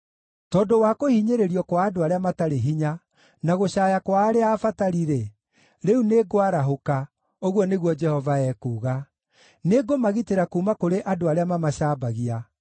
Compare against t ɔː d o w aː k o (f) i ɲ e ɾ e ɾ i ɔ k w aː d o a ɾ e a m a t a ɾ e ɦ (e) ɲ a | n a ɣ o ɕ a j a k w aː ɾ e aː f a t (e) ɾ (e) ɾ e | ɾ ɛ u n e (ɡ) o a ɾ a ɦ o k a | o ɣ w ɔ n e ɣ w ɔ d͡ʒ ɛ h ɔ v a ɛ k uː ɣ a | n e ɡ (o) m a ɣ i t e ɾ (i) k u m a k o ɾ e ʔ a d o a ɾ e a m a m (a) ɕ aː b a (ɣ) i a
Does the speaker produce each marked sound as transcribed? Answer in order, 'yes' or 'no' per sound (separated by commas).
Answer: no, no, no, no, yes, yes, no, yes, yes